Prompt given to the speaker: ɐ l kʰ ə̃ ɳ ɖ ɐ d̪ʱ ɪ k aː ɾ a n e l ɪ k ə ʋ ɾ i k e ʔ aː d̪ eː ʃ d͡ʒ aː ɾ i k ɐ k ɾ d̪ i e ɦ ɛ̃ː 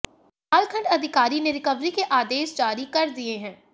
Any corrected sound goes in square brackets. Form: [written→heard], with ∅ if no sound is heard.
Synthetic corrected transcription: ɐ l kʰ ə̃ ɳ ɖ ɐ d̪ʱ ɪ k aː ɾ [a→i] n e [l→ɾ] ɪ k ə ʋ ɾ i k e ʔ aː d̪ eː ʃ d͡ʒ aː ɾ i k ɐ [k→∅] ɾ d̪ i e ɦ ɛ̃ː